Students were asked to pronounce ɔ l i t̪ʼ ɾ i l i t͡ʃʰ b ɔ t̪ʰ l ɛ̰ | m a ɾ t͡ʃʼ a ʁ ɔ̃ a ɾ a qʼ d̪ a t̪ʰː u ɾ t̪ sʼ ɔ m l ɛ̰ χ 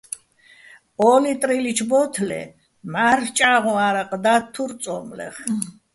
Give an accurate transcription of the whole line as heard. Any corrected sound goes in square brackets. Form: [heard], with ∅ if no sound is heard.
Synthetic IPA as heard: ɔ l i t̪ʼ ɾ i l i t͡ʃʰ b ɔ t̪ʰ l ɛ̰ | m a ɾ t͡ʃʼ a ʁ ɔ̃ a ɾ a qʼ d̪ a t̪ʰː u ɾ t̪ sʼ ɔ m l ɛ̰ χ

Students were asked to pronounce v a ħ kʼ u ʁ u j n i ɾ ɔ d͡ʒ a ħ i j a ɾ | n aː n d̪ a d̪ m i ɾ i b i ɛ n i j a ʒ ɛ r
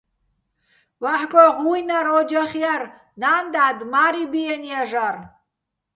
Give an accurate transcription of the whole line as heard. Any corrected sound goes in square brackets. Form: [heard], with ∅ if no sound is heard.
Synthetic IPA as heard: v a ħ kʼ [ɔ] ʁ u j n [a] ɾ ɔ d͡ʒ a [χ] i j a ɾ | n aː n d̪ a d̪ m [a] ɾ i b i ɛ n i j a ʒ [a] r

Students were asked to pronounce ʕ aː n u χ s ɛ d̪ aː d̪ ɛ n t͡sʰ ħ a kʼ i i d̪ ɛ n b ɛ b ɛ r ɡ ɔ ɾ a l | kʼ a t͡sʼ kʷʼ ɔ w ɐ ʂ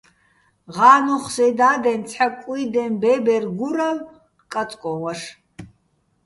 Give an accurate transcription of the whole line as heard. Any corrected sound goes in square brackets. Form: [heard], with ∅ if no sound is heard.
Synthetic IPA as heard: [ʁ] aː n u χ s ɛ d̪ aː d̪ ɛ n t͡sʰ ħ a kʼ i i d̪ ɛ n b ɛ b ɛ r ɡ [u] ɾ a l | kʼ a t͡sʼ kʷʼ ɔ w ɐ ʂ

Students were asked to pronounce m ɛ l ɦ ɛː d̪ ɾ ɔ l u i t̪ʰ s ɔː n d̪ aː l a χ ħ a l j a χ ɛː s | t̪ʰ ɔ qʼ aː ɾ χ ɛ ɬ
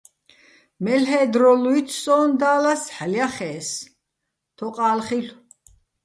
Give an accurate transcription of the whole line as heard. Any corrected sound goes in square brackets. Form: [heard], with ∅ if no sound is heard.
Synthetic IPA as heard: m ɛ l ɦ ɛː d̪ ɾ ɔ l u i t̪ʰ s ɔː n d̪ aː l a [s] ħ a l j a χ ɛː s | t̪ʰ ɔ qʼ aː [l] χ [i] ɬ

